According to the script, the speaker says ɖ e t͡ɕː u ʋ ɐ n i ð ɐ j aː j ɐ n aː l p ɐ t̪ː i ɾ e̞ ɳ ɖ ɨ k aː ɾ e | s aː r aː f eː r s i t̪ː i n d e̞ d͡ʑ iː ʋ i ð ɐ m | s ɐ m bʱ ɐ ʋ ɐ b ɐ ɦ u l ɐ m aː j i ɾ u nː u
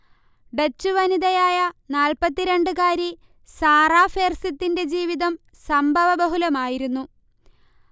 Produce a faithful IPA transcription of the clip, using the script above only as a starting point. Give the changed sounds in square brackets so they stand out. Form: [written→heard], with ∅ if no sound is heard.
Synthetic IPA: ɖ e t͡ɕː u ʋ ɐ n i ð ɐ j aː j ɐ n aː l p ɐ t̪ː i ɾ e̞ ɳ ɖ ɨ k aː ɾ [e→i] | s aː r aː f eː r s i t̪ː i n d e̞ d͡ʑ iː ʋ i ð ɐ m | s ɐ m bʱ ɐ ʋ ɐ b ɐ ɦ u l ɐ m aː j i ɾ u nː u